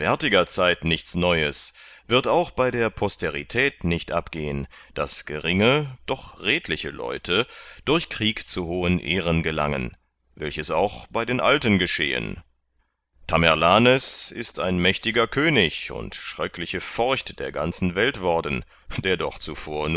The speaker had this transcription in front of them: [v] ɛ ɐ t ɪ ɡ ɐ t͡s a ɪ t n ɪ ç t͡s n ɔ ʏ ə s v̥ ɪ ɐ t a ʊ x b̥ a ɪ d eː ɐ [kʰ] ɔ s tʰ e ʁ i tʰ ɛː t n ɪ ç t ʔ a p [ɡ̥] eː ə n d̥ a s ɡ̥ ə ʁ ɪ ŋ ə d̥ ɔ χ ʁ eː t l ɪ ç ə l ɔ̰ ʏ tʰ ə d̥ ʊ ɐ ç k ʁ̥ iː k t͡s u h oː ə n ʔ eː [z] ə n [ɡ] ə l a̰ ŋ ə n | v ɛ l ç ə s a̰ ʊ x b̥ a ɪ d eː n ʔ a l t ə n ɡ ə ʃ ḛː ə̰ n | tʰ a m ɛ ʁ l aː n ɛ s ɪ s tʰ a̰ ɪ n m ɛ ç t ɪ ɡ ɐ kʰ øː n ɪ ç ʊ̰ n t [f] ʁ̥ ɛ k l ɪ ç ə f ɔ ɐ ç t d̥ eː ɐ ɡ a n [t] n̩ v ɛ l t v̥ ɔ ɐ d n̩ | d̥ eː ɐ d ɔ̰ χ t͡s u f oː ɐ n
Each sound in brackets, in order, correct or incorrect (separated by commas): correct, incorrect, correct, incorrect, correct, incorrect, incorrect